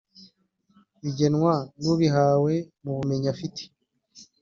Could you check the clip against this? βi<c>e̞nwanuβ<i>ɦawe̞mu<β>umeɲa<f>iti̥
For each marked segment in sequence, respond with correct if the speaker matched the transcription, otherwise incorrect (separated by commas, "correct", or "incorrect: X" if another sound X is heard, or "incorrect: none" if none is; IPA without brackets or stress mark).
incorrect: ɟ, correct, correct, correct